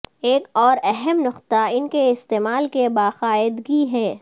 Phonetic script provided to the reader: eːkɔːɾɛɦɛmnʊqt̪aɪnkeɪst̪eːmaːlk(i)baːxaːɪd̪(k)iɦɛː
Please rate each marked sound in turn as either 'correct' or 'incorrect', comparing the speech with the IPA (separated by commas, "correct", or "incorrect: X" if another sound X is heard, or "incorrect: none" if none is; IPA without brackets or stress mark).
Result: incorrect: e, incorrect: ɡ